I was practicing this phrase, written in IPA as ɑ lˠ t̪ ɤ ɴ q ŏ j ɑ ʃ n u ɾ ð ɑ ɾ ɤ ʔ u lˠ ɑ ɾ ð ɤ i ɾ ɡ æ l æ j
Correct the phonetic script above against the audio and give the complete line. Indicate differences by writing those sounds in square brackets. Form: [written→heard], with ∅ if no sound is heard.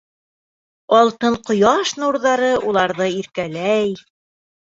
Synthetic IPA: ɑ lˠ t̪ ɤ ɴ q ŏ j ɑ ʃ n u ɾ ð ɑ ɾ ɤ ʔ u lˠ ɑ ɾ ð ɤ i ɾ [ɡ→k] æ l æ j